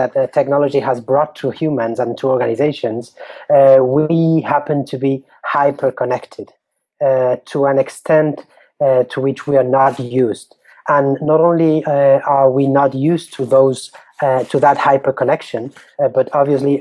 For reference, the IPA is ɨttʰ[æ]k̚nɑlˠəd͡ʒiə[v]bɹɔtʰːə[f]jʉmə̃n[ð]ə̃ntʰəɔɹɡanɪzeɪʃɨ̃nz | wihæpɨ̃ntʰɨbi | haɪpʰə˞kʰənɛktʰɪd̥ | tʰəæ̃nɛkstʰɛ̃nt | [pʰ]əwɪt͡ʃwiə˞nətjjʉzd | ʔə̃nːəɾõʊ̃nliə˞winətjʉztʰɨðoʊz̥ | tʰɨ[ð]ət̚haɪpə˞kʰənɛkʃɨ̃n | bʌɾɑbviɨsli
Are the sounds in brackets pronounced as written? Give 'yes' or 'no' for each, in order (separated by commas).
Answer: no, no, no, no, no, yes